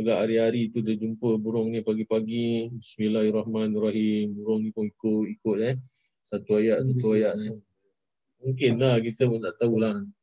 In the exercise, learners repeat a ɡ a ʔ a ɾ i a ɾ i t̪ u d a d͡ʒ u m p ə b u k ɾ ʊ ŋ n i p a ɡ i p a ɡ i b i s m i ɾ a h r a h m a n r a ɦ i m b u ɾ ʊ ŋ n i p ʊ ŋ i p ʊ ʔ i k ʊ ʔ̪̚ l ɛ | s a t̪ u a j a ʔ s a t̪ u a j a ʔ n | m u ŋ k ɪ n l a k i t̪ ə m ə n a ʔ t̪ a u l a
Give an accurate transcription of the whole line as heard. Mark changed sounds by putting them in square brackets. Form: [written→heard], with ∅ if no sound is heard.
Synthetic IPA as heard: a ɡ a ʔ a ɾ i a ɾ i t̪ u d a d͡ʒ u m p ə b u [k→∅] ɾ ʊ ŋ n i p a ɡ i p a ɡ i b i s m i [ɾ→l] a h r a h m a n r a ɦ i m b u ɾ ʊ ŋ n i p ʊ ŋ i [p→k] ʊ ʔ i k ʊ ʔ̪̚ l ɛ | s a t̪ u a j a ʔ s a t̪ u a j a ʔ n | m u ŋ k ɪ n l a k i t̪ ə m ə n a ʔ t̪ a u l a